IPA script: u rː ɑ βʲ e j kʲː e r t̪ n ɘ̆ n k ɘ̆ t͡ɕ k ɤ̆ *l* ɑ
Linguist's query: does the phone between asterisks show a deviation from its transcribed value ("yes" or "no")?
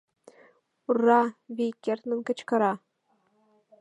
yes